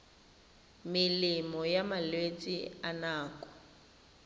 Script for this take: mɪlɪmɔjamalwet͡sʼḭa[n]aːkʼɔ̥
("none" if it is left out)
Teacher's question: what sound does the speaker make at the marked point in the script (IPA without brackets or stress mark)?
n